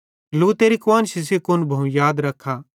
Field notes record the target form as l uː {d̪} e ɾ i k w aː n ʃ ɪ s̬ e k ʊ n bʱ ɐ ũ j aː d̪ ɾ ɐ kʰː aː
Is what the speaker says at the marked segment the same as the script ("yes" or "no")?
no